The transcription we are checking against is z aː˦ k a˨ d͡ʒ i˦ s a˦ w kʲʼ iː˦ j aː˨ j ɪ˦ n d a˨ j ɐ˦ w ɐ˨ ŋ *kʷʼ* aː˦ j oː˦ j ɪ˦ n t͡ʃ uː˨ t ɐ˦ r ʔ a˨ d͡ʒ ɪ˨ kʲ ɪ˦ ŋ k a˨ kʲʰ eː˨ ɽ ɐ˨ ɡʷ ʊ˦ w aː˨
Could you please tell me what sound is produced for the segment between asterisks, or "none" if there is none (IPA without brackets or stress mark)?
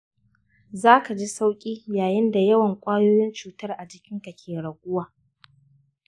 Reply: kʷʼ